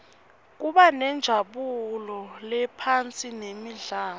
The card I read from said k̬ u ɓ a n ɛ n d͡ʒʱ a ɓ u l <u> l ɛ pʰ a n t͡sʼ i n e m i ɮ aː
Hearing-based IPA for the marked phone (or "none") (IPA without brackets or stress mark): ɔ